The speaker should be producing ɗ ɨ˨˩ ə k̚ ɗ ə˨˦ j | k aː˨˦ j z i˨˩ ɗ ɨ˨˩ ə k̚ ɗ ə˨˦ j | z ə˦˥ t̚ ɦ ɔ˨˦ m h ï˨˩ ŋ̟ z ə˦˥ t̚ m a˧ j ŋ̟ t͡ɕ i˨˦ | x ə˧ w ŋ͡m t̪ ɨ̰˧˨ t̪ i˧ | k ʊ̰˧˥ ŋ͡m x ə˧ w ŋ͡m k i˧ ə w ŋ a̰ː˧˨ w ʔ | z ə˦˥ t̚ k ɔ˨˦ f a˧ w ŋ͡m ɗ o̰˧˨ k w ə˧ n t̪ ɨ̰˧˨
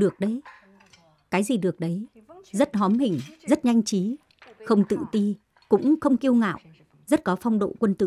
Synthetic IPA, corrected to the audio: ɗ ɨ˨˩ ə k̚ ɗ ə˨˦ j | k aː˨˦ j z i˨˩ ɗ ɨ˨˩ ə k̚ ɗ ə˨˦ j | z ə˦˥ t̚ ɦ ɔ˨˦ m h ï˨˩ ŋ̟ z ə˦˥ t̚ ɲ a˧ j ŋ̟ t͡ɕ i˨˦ | x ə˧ w ŋ͡m t̪ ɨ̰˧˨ t̪ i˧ | k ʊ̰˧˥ ŋ͡m x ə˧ w ŋ͡m k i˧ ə w ŋ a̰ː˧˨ w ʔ | z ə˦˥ t̚ k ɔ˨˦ f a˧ w ŋ͡m ɗ o̰˧˨ k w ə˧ n t̪ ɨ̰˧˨